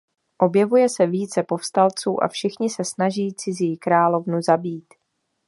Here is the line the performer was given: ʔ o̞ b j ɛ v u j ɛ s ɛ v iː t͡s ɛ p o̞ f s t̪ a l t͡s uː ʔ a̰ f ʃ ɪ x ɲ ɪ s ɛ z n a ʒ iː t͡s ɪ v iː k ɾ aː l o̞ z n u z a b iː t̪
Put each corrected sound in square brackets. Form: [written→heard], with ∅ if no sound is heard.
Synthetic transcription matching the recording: ʔ o̞ b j ɛ v u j ɛ s ɛ v iː t͡s ɛ p o̞ f s t̪ a l t͡s uː ʔ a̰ f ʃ ɪ x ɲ ɪ s ɛ [z→s] n a ʒ iː t͡s ɪ [v→z] iː k ɾ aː l o̞ [z→v] n u z a b iː t̪